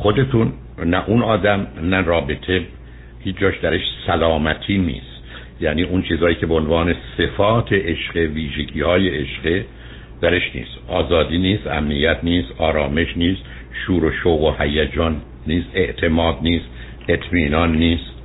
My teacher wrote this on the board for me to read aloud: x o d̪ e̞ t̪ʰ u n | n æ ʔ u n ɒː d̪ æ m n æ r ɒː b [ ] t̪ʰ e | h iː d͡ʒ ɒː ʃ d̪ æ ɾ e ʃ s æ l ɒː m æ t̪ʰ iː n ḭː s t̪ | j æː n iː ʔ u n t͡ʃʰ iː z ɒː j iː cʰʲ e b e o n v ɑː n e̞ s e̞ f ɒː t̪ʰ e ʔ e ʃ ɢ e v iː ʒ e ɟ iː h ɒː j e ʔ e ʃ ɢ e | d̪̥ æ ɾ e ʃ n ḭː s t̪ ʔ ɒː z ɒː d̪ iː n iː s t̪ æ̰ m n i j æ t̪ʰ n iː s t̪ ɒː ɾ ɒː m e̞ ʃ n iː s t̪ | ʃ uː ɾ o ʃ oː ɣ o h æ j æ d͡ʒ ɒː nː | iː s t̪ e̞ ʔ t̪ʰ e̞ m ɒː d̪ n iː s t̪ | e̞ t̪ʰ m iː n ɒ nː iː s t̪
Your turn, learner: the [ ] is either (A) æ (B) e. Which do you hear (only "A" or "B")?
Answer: B